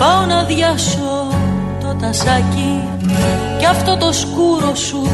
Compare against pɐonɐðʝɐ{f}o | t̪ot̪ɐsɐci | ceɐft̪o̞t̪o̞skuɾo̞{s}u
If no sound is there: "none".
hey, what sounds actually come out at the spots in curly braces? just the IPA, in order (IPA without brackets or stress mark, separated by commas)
s, s